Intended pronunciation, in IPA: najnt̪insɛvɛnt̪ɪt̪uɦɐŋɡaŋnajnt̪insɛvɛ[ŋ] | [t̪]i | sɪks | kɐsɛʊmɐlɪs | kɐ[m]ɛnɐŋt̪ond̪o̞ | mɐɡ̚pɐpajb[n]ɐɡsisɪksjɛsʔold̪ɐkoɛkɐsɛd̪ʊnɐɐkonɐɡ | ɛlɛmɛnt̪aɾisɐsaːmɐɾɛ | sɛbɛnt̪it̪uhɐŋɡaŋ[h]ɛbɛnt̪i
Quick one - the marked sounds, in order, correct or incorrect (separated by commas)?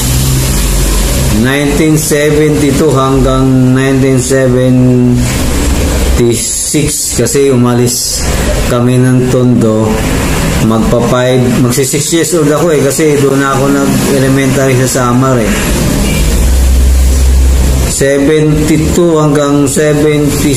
incorrect, correct, correct, incorrect, incorrect